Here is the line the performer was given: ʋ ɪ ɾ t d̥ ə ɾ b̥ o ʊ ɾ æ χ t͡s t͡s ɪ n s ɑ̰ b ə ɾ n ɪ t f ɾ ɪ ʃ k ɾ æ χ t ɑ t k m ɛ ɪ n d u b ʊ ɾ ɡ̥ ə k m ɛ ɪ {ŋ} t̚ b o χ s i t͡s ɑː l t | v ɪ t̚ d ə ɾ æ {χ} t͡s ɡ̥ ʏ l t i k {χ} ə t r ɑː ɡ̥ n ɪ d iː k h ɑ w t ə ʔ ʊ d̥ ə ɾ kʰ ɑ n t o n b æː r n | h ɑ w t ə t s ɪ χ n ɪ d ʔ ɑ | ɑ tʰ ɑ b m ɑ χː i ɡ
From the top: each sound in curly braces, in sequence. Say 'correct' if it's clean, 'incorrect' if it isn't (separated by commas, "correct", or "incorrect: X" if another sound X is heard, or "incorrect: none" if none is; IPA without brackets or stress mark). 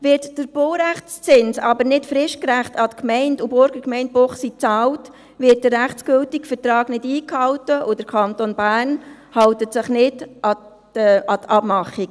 incorrect: n, correct, incorrect: f